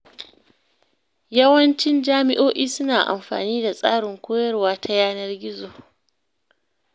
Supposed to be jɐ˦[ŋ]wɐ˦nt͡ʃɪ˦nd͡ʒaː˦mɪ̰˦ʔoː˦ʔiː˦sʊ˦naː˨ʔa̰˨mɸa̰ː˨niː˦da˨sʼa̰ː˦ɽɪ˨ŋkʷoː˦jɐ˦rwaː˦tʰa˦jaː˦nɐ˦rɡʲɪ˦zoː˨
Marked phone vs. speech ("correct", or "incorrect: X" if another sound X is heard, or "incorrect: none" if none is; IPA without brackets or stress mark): incorrect: none